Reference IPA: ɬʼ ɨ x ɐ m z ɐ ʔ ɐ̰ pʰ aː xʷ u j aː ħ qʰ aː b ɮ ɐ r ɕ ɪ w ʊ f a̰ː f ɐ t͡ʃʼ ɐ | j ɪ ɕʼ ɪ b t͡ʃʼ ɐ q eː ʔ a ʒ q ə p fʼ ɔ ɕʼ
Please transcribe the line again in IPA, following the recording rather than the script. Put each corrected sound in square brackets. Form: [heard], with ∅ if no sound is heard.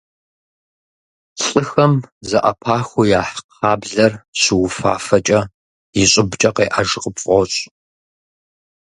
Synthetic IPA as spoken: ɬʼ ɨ x ɐ m z ɐ ʔ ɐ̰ pʰ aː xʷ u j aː ħ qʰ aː b ɮ ɐ r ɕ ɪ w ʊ f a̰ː f ɐ t͡ʃʼ ɐ | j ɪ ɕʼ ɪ b t͡ʃʼ ɐ q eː ʔ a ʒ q ə p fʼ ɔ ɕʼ